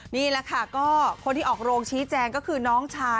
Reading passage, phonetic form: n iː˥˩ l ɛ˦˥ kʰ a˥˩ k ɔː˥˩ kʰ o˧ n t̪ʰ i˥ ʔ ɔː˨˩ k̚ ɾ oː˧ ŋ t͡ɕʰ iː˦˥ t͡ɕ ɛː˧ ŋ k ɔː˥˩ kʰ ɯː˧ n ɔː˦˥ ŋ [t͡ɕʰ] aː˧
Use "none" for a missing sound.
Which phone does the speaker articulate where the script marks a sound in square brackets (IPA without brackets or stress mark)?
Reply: t͡ɕʰ